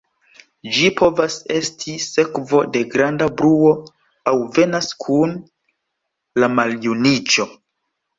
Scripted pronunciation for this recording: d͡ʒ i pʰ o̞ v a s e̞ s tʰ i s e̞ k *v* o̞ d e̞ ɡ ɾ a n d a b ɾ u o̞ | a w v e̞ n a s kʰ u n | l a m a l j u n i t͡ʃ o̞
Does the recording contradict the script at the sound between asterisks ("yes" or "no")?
no